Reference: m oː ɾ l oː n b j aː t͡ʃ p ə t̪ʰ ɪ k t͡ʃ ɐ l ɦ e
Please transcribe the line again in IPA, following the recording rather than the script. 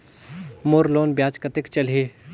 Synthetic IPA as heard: m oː ɾ l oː n b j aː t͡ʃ k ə t̪ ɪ k t͡ʃ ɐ l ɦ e